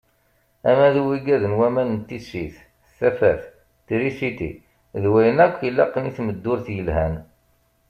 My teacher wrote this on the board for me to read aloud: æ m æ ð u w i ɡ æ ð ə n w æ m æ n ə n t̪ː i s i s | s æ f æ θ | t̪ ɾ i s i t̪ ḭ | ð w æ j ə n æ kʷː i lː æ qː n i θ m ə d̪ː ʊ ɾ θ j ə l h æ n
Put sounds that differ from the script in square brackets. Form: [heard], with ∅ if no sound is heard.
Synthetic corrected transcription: æ m æ ð u w i ɡ æ ð ə n w æ m æ n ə n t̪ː i s i [θ] | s æ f æ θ | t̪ ɾ i s i t̪ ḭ | ð w æ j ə n æ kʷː i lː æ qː n i θ m ə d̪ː ʊ ɾ θ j ə l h æ n